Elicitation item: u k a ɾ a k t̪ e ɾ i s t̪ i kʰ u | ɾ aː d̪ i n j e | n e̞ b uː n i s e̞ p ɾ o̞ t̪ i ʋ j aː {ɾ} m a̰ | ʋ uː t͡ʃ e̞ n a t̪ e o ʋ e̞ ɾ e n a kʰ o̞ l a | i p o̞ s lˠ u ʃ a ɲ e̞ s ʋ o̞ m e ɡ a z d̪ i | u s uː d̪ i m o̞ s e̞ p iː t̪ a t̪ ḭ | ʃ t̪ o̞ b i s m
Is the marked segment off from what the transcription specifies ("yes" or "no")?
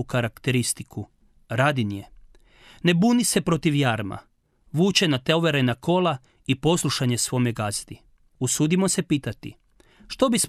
no